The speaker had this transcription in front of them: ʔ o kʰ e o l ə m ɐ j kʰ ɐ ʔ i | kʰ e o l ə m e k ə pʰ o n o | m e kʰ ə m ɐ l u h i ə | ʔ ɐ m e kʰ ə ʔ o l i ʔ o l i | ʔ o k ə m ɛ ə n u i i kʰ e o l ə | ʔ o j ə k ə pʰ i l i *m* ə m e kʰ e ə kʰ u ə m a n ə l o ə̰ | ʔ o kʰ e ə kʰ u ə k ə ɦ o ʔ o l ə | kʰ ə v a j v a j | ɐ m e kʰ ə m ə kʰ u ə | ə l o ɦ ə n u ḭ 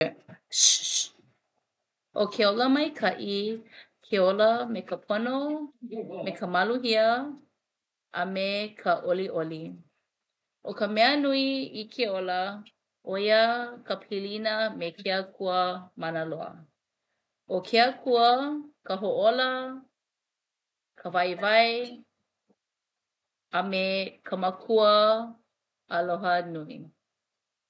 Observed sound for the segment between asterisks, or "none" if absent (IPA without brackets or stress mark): n